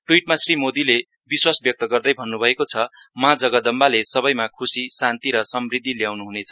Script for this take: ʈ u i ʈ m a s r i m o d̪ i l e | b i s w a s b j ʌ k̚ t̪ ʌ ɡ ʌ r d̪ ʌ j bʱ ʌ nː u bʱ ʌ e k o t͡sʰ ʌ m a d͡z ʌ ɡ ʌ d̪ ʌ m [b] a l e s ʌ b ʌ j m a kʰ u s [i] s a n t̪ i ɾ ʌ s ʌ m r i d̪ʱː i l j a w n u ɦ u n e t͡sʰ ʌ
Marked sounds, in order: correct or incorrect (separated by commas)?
correct, correct